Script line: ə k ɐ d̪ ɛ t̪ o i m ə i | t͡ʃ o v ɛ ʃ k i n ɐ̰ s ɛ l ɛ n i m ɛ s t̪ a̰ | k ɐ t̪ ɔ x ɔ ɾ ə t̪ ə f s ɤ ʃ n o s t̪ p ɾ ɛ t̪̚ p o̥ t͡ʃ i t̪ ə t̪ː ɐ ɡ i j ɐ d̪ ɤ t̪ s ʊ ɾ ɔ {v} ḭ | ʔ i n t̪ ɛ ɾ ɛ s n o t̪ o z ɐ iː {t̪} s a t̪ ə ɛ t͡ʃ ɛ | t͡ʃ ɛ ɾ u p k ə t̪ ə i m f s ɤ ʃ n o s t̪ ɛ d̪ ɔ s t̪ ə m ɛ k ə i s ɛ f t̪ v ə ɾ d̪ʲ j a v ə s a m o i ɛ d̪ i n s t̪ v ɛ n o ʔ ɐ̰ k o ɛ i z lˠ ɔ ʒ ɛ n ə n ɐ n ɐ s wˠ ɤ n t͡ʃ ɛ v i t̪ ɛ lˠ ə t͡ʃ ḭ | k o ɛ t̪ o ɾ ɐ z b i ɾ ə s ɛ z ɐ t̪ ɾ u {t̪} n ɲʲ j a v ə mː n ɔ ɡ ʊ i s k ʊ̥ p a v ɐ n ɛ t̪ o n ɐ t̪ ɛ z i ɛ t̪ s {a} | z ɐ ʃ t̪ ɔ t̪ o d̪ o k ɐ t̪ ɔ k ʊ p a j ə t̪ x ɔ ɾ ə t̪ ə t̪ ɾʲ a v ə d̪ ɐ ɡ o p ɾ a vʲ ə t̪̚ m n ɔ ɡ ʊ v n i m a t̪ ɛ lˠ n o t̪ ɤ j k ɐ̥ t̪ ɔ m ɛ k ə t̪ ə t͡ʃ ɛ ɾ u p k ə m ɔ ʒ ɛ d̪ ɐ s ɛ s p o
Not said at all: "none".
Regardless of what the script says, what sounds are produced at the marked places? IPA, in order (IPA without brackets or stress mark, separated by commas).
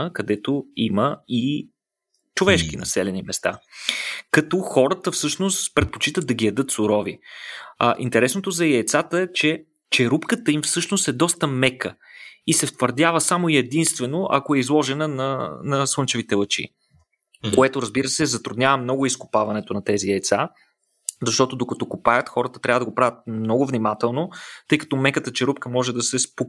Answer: v, t̪, d̪, a